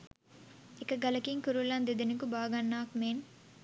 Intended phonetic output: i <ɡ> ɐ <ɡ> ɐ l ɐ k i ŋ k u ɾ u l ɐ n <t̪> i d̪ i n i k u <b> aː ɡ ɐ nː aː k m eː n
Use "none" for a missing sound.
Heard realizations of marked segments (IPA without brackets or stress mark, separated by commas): k, ɡ, d̪, b